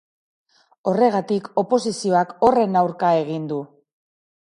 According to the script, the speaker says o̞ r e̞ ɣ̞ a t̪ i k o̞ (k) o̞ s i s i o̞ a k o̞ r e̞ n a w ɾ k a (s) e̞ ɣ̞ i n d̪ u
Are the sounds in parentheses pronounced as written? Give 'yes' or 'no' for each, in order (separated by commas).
no, no